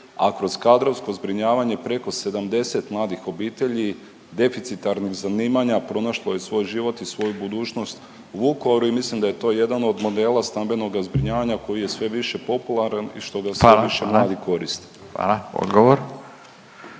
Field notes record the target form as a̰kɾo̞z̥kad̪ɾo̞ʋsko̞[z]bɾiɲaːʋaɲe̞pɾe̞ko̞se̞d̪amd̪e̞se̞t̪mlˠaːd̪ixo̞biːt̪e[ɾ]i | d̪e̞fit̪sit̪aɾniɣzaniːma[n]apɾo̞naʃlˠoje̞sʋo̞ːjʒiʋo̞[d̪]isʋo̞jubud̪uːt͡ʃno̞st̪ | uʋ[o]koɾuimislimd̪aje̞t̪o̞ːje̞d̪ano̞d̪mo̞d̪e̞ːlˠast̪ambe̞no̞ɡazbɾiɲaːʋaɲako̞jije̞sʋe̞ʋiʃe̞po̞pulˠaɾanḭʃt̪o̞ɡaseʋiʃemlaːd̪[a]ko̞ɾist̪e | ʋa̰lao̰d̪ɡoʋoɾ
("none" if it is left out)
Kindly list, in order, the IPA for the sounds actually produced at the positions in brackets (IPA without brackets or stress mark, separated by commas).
z, ʎ, ɲ, t̪, u, i